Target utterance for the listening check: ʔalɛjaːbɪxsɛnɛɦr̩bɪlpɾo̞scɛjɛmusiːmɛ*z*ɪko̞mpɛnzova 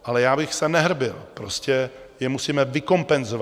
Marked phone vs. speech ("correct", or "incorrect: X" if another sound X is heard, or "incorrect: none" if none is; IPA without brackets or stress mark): incorrect: v